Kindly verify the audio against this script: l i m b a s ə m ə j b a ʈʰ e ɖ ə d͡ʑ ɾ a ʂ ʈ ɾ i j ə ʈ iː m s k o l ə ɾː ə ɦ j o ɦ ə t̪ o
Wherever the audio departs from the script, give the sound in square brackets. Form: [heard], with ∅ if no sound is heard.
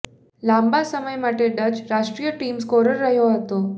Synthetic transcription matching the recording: l [a] m b a s ə m ə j [m] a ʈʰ e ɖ ə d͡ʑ ɾ a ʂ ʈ ɾ i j ə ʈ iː m s k o [ɾ] ə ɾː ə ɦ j o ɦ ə t̪ o